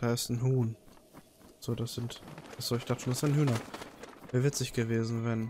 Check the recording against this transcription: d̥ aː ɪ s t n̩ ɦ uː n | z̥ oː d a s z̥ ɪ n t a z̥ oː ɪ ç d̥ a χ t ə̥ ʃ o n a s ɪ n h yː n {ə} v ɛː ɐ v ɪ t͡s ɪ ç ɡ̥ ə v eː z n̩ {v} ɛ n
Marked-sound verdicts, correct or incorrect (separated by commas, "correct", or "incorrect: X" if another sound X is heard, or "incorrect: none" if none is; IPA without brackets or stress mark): incorrect: ɐ, correct